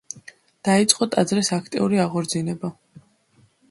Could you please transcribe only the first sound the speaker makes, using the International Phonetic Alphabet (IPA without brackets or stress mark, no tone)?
d̪̥